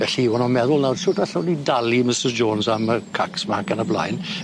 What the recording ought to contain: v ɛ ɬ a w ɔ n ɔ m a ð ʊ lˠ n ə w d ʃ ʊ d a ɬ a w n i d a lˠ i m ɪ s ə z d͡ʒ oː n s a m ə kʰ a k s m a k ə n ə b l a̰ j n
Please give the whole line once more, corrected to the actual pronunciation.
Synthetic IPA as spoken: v ɛ ɬ i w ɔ n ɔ m ɛ ð ʊ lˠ n a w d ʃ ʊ d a ɬ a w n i d a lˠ i m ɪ s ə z d͡ʒ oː n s a m ə kʰ a k s m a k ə n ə b l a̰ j n